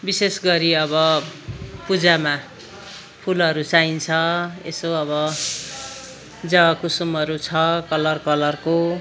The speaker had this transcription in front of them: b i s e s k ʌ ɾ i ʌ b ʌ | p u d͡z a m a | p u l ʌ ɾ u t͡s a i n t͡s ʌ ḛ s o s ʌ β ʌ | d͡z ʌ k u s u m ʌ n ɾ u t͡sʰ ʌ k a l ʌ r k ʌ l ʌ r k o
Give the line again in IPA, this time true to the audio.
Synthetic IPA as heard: b i s e s ɡ ʌ ɾ i ʌ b ʌ | p u d͡z a m a | pʰ u l ʌ ɾ u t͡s a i n t͡sʰ ʌ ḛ s o ʌ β ʌ | d͡z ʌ k u s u m ʌ ɾ u t͡sʰ ʌ k ʌ l ʌ r k ʌ l ʌ r k o

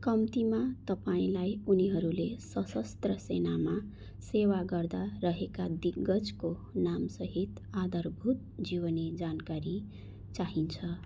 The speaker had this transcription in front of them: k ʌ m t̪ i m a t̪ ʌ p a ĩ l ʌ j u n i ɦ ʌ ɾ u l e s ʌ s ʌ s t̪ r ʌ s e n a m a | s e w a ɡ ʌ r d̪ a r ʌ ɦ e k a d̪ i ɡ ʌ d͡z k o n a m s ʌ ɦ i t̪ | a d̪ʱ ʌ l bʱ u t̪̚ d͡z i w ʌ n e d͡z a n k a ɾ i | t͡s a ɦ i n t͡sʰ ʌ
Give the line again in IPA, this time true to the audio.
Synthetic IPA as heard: k ʌ m t̪ i m a t̪ ʌ p a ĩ l a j u n i ɦ ʌ ɾ u l e s ʌ s ʌ s t̪ r ʌ s e n a m a | s e w a ɡ ʌ r d̪ a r ʌ ɦ e k a d̪ i ɡ ʌ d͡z k o n a m s ʌ ɦ i t̪ | a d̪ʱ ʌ r bʱ u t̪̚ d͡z i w ʌ n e d͡z a n k a ɾ i | t͡s a ɦ i n t͡sʰ ʌ

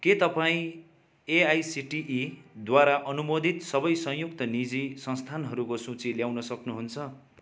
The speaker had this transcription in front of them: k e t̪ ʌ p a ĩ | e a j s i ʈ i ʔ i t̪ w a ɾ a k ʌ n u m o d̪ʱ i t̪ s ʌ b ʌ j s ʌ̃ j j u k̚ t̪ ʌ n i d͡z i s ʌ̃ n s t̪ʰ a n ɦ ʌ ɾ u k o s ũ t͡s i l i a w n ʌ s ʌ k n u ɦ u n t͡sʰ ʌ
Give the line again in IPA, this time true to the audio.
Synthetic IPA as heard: k e t̪ ʌ p a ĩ | e a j s i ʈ i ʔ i d̪ w a ɾ a ʔ ʌ n u m o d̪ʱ i t̪ s ʌ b ʌ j s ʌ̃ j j u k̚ t̪ ʌ n i d͡z i s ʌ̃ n s t̪ʰ a n ɦ ʌ ɾ u k o s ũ t͡s i l j a w n ʌ s ʌ k n u ɦ u n t͡sʰ ʌ

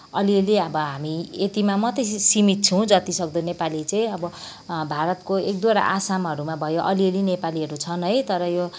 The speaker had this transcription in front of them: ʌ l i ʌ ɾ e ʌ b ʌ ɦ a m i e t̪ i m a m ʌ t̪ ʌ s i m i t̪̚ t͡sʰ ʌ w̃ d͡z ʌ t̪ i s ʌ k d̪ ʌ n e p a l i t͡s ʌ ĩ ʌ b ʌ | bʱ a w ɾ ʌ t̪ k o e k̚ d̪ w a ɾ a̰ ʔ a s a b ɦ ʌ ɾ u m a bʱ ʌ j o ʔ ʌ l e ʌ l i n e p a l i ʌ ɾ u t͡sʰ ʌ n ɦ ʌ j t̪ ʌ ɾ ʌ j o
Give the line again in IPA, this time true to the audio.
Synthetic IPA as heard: ʌ l i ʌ l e ʌ b ʌ ɦ a m i e t̪ i m a m ʌ t̪ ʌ s i m i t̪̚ t͡sʰ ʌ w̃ d͡z ʌ t̪ i s ʌ k d̪ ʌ n e p a l i t͡s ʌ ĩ ʌ b ʌ | bʱ a ɾ ʌ t̪ k o e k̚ d̪ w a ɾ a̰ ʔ a s a m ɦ ʌ ɾ u m a bʱ ʌ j o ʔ ʌ l i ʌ l i n e p a l i ʌ ɾ u t͡sʰ ʌ n ɦ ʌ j t̪ ʌ ɾ ʌ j o

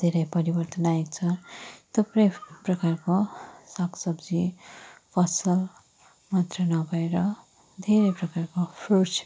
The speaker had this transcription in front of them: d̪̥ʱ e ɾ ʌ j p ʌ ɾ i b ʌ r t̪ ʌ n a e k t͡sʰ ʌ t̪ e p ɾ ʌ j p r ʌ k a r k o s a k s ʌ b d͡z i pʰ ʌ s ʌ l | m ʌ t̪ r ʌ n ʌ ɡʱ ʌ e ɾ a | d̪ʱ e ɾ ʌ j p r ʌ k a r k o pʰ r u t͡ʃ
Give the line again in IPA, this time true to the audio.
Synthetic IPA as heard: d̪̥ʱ e ɾ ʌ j p ʌ ɾ i b ʌ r t̪ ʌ n a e k t͡sʰ ʌ t̪ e p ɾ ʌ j p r ʌ k a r k o s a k s ʌ b d͡z i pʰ ʌ s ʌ l | m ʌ t̪ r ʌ n ʌ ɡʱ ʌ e ɾ ʌ | d̪ʱ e ɾ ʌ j p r ʌ k a r k o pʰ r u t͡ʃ

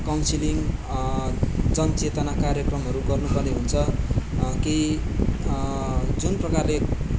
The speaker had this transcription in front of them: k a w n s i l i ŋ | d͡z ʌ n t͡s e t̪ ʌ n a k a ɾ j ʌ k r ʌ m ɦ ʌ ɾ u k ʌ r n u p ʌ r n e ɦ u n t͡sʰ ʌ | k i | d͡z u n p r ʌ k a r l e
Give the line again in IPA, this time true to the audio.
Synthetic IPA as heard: k a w n s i l i ŋ | d͡z ʌ n t͡s e t̪ ʌ n a k a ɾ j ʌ k r ʌ m ɦ ʌ ɾ u ɡ ʌ r n u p ʌ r n e ɦ u n t͡sʰ ʌ | k i | d͡z u n p r ʌ k a r l e

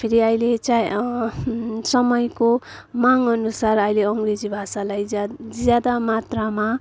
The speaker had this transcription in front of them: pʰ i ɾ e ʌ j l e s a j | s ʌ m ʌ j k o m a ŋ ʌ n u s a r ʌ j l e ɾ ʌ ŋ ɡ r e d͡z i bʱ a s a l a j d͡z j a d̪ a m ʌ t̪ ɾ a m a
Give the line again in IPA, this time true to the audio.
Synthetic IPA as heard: pʰ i ɾ i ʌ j l e t͡s a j | s ʌ m ʌ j k o m a ŋ ʌ n u s a r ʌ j l e ʌ ŋ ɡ r e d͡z i bʱ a s a l a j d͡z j a d̪ a m a t̪ r a m a

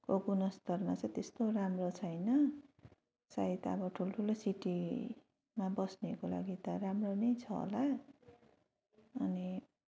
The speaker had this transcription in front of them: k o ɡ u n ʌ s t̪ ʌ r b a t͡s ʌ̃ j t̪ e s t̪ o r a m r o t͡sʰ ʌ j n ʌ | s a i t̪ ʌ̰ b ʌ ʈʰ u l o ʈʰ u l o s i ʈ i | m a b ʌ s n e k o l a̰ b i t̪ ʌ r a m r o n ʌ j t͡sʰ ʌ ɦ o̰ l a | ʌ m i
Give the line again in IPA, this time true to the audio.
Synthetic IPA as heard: k o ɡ u n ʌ s t̪ ʌ r m a t͡s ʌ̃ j t̪ e s t̪ o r a m r o t͡sʰ ʌ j n ʌ | s a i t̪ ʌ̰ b ʌ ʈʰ u l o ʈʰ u l o s i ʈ i | m a b ʌ s n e k o l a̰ ɡ i t̪ ʌ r a m r o n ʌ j t͡sʰ ʌ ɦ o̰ l a | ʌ n i

